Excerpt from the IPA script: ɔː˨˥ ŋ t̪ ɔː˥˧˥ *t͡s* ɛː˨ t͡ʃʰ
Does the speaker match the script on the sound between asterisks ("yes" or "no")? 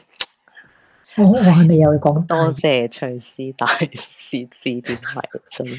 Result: yes